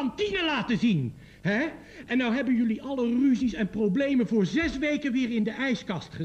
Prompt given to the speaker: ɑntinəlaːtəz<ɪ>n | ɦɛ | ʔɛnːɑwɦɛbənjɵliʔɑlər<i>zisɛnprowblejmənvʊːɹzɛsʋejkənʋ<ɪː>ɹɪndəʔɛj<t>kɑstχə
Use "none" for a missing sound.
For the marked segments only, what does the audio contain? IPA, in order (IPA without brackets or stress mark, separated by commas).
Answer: i, y, ɪː, s